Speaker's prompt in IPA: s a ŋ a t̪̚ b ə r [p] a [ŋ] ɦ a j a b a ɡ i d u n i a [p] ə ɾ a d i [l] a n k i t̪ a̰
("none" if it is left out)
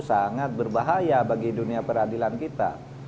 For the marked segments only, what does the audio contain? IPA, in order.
b, none, p, l

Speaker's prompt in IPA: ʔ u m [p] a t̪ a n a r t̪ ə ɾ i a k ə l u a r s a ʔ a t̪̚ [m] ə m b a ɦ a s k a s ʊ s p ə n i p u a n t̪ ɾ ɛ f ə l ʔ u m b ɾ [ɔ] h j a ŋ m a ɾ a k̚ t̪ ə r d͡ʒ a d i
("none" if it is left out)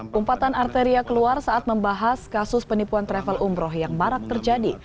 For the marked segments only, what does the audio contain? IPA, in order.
p, m, ɔ

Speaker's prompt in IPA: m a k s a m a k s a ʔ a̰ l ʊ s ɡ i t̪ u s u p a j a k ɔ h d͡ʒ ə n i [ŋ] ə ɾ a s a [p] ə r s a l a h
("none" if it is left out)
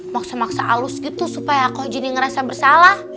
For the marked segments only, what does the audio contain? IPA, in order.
ŋ, b

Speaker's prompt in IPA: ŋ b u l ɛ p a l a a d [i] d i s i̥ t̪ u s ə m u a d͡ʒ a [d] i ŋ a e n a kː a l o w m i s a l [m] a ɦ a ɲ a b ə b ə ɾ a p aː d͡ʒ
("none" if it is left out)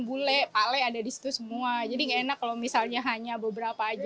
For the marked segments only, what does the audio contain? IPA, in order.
a, d, ɲ

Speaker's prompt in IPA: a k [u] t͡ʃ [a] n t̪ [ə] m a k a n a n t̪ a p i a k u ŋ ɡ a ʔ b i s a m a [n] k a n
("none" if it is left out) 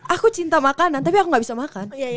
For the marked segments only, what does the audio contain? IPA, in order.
u, i, a, none

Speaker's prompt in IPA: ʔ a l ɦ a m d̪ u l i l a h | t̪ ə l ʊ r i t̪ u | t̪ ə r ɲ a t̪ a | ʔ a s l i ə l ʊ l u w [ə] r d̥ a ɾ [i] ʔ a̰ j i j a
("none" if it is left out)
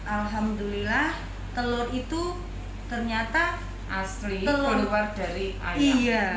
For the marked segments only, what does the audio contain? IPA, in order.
a, i

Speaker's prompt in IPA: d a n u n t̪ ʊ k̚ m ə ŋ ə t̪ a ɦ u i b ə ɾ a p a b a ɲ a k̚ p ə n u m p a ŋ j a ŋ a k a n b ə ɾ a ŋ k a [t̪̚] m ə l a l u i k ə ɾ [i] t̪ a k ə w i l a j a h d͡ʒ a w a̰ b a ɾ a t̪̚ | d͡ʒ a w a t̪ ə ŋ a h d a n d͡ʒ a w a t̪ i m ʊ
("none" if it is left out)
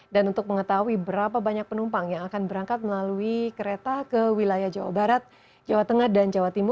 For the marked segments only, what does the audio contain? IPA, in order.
t̪̚, e

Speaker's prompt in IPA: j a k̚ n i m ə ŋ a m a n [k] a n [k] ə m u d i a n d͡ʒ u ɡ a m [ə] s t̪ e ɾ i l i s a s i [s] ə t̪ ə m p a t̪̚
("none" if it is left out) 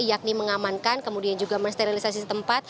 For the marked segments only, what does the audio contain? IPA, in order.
k, k, ə, s

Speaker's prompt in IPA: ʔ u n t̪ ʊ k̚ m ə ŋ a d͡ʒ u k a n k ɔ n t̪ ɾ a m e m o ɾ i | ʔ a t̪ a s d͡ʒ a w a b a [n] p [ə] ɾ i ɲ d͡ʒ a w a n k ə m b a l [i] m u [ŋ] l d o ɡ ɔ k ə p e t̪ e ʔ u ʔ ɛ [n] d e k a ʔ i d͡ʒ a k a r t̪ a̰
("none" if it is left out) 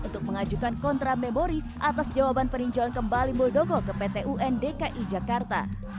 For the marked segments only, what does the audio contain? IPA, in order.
n, ə, i, none, n

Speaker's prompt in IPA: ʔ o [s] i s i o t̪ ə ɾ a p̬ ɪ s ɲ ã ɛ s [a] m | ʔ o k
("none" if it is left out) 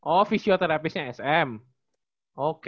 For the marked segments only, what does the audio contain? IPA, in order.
f, ɛ

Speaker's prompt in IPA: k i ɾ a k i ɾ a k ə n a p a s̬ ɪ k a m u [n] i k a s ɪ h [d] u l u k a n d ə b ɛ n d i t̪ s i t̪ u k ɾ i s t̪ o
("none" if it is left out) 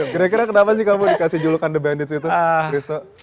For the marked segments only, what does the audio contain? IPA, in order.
d, d͡ʒ

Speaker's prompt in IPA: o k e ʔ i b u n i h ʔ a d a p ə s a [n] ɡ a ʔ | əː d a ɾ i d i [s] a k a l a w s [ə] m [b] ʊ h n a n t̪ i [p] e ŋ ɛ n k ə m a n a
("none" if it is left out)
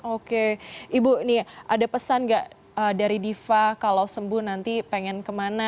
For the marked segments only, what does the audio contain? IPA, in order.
n, f, ə, b, p

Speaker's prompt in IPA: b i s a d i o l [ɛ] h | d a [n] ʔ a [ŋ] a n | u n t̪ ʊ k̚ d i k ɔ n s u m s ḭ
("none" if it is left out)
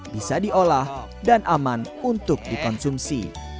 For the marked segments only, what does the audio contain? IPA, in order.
a, n, m

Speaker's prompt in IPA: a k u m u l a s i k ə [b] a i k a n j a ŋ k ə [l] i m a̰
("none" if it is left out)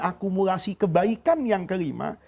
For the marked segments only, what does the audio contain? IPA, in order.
b, ɾ

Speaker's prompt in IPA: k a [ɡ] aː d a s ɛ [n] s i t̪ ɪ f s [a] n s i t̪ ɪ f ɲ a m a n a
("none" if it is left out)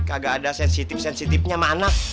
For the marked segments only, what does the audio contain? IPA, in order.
ɡ, n, ɛ

